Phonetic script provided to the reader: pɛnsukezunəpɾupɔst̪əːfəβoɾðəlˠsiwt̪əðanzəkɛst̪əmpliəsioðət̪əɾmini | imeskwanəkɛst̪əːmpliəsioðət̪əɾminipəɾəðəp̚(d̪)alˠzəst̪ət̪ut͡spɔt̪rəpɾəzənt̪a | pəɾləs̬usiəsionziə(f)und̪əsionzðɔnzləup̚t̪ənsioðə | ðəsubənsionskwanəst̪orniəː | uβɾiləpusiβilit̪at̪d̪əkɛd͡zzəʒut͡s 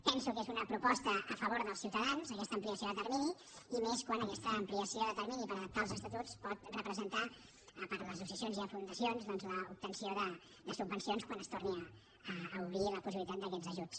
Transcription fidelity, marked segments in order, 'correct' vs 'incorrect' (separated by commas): incorrect, correct